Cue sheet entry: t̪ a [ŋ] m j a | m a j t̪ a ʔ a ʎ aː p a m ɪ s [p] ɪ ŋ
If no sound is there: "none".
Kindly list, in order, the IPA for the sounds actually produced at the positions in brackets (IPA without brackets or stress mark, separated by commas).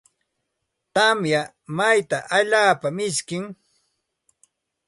none, k